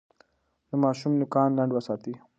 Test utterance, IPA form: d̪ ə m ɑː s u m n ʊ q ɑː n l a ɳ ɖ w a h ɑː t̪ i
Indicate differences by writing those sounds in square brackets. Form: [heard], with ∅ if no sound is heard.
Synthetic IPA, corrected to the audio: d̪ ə m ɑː [ʃ] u m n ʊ [k] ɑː n l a ɳ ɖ w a [s] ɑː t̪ i